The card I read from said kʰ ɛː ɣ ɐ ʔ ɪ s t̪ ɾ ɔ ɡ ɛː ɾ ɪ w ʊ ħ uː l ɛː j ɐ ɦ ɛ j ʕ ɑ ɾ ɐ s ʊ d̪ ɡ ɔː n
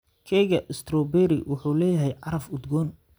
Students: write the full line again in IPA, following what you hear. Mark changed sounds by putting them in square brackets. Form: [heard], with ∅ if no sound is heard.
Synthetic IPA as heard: kʰ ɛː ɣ ɐ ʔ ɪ s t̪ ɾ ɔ [b] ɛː ɾ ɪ w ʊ ħ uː l ɛː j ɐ ɦ ɛ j ʕ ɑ ɾ ɐ [f] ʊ d̪ ɡ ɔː n